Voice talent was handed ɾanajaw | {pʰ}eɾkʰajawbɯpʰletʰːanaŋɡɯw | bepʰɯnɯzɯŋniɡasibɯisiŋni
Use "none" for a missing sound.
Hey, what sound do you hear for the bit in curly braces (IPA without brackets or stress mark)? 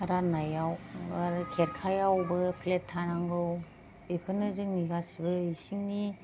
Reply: kʰ